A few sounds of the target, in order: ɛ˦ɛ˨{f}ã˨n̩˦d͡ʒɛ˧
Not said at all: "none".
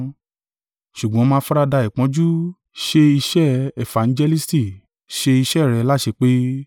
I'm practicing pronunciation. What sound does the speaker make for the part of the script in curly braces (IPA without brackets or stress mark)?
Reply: f